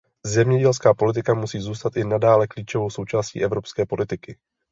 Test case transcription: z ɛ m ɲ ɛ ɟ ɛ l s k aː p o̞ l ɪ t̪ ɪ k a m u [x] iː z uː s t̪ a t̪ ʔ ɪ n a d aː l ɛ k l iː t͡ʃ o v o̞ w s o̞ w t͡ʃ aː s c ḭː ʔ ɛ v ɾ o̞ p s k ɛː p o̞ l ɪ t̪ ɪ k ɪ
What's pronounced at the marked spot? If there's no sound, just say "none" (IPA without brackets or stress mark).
s